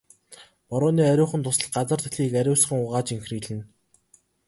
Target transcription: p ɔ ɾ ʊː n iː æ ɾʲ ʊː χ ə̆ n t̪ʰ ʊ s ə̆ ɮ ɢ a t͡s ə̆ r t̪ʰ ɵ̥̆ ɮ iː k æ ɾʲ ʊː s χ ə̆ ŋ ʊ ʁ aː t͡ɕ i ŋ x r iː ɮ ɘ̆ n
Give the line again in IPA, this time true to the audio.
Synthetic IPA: p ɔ ɾ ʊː n iː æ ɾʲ ʊː χ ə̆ n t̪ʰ ʊ s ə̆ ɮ ɢ a t͡s ə̆ r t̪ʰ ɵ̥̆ ɮ iː k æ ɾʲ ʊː s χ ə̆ ŋ ʊ ʁ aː t͡ɕ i ŋ x r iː ɮ ɘ̆ n